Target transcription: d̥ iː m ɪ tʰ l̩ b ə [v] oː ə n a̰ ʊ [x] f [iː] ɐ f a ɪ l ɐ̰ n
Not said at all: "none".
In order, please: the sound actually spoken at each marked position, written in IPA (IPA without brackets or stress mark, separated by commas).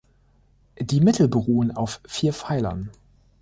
ʁ, f, iː